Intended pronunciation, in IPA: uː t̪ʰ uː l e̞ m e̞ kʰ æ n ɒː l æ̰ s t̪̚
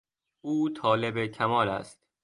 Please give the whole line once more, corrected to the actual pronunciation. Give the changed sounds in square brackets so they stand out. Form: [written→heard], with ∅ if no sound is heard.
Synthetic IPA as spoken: uː t̪ʰ [uː→ɒː] l e̞ [m→b] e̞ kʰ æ [n→m] ɒː l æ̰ s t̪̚